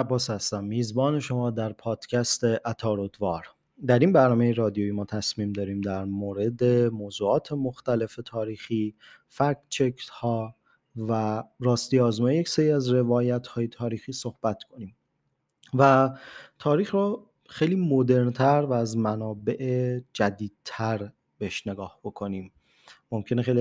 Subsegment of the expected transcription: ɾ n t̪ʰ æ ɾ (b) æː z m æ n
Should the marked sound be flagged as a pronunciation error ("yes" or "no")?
yes